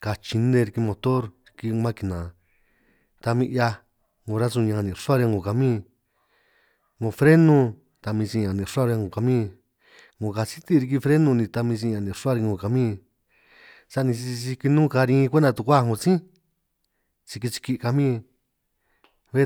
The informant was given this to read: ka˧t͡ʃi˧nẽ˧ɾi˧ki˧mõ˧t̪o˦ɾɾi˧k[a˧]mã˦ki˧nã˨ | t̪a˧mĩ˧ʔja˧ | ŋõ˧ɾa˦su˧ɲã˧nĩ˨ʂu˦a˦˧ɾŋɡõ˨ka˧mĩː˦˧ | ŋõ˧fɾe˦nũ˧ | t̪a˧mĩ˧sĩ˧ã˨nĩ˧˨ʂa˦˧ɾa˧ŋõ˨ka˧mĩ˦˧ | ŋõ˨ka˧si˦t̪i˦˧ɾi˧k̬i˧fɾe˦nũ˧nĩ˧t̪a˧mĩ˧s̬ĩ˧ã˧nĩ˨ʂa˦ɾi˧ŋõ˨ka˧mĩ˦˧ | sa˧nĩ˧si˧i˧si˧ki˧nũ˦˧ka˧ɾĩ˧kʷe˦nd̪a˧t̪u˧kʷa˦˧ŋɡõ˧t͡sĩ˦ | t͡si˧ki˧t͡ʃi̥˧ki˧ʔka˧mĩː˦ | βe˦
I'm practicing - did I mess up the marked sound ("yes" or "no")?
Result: yes